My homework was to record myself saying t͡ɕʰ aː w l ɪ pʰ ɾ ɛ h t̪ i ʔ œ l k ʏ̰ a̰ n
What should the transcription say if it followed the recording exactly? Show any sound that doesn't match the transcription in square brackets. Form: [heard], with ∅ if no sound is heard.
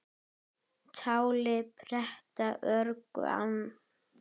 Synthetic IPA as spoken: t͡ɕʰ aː w l ɪ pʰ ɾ ɛ h t̪ [a] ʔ œ [ɾ] k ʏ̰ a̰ n